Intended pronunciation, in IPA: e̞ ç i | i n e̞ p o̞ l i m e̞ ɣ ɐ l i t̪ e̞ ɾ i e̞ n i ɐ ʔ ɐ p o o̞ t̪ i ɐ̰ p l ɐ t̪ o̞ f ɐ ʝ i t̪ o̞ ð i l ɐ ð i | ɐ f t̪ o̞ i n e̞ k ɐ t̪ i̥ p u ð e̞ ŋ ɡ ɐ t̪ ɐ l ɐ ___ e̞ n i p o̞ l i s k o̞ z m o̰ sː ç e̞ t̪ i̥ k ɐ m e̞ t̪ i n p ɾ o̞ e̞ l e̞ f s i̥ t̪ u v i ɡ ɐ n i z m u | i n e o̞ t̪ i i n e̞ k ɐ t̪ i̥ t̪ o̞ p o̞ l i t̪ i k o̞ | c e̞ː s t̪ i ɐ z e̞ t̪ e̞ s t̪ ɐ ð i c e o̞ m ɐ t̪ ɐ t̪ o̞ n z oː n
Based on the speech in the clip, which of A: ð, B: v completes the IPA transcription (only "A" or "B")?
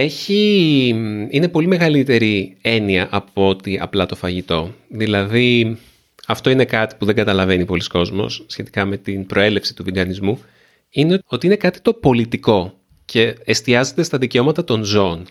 B